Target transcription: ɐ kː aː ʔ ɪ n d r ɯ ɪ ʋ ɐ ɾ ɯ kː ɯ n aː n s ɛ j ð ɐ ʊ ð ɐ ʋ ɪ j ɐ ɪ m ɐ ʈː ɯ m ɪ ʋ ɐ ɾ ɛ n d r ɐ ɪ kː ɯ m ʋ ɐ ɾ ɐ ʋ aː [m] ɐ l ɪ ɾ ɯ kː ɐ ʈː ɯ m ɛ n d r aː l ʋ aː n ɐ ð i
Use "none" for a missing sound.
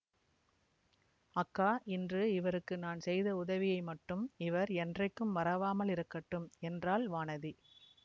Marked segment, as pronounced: m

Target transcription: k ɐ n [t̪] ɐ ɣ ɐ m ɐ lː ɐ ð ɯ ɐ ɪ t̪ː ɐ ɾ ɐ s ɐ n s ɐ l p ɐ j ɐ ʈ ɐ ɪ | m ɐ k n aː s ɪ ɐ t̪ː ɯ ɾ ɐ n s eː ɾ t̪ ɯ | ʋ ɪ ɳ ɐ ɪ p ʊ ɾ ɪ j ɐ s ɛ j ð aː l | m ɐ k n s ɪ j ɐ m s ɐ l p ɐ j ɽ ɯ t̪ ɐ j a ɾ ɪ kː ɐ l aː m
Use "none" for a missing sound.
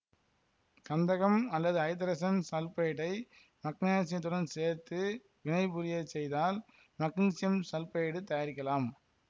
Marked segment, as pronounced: d̪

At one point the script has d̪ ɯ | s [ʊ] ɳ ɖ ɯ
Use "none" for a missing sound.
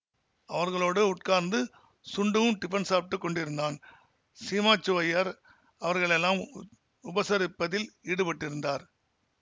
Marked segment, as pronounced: ʊ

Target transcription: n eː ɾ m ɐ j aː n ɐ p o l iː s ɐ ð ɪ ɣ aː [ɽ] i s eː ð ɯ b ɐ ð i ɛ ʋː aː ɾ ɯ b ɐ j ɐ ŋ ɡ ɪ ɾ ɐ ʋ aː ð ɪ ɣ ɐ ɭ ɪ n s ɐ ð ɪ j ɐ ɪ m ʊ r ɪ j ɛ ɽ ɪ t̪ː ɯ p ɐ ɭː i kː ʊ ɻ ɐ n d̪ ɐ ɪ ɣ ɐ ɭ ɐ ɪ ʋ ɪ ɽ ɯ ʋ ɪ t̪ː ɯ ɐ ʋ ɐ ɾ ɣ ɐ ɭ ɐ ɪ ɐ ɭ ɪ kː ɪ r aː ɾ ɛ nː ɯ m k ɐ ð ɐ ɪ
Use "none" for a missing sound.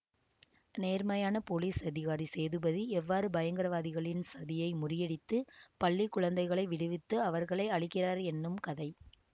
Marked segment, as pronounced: ɾ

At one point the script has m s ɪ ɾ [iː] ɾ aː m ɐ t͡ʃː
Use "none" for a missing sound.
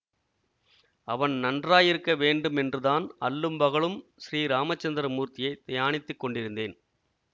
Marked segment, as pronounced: iː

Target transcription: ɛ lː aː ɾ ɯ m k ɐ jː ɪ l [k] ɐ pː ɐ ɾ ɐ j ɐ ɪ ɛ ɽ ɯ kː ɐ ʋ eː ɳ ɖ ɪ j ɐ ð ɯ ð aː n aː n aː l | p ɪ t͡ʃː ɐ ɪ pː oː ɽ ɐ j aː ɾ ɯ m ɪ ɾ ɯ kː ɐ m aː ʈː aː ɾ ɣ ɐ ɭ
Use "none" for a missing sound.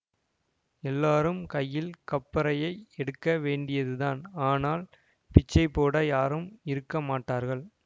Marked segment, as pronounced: k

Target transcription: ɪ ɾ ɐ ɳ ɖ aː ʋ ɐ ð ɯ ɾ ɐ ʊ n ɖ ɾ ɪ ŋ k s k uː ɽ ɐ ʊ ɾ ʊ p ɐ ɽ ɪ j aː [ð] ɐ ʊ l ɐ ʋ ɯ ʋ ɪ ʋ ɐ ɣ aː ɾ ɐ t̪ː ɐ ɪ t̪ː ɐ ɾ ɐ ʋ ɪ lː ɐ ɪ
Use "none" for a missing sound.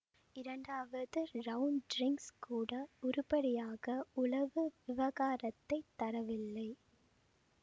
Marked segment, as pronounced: ɣ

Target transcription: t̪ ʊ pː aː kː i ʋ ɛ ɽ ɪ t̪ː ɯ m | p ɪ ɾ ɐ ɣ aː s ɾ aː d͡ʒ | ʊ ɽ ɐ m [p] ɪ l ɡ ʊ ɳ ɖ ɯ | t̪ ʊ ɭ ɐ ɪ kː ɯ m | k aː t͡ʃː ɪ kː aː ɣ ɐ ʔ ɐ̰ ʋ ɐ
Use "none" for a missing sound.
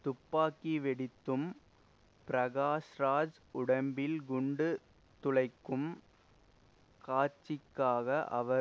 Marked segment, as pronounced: b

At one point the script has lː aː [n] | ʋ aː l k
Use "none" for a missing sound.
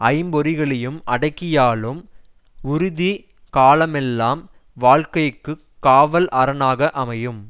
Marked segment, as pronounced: m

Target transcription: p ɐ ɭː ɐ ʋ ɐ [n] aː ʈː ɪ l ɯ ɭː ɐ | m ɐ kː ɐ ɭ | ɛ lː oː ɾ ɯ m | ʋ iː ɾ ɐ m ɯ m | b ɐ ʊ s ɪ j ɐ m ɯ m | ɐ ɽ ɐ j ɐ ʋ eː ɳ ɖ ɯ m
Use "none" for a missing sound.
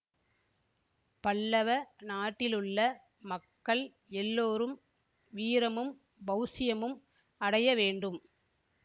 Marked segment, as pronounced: n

